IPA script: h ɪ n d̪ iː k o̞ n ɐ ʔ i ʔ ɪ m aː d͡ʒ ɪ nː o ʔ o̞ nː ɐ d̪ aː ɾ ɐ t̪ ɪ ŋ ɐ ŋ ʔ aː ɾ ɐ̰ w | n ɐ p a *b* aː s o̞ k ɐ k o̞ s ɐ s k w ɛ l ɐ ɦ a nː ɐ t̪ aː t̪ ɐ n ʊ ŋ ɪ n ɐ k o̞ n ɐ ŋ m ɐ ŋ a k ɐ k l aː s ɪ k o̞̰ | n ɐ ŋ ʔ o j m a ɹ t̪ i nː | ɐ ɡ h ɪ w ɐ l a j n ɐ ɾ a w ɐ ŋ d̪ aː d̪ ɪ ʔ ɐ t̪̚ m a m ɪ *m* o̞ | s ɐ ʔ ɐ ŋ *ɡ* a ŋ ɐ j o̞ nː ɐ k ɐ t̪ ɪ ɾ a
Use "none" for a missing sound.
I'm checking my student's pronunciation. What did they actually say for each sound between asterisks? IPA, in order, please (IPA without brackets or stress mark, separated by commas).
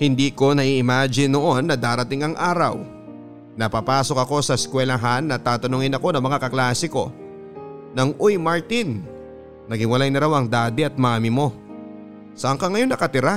p, m, k